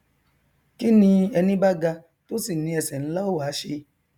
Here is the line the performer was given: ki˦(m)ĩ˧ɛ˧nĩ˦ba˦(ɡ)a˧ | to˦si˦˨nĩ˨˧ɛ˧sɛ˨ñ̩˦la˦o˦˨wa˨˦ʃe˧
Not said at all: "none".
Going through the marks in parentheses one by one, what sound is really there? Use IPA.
n, ɡ

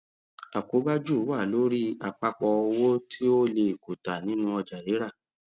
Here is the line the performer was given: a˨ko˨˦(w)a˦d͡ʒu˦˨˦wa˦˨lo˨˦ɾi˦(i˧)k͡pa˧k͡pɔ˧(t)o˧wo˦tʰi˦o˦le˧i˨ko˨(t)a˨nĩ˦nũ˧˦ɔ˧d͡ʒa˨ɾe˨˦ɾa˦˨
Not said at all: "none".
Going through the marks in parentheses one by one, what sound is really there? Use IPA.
b, a˧, none, t

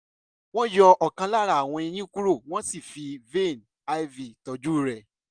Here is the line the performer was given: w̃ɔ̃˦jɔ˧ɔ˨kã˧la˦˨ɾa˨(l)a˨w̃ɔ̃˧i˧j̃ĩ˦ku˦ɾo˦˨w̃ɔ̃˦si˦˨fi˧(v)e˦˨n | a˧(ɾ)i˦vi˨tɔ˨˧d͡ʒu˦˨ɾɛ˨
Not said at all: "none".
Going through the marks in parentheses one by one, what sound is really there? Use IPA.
none, v, none

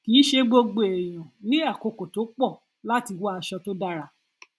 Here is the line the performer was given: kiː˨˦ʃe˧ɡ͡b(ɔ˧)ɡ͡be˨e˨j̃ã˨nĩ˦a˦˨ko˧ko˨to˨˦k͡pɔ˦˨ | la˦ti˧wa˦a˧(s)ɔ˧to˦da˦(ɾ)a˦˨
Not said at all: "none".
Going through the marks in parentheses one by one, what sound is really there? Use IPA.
o˧, ʃ, ɾ

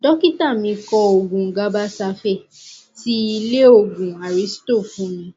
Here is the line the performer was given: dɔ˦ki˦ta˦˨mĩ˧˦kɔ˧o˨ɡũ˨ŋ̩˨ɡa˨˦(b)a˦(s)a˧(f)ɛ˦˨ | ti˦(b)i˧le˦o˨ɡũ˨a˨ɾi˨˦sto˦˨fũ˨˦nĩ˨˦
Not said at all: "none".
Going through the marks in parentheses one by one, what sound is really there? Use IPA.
b, s, f, none

